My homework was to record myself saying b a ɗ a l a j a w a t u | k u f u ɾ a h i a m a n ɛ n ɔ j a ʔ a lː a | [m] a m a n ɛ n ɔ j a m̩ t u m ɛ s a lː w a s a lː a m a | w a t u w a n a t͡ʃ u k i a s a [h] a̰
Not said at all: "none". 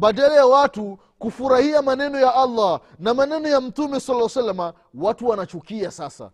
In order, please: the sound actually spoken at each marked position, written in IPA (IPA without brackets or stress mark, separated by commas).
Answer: n, s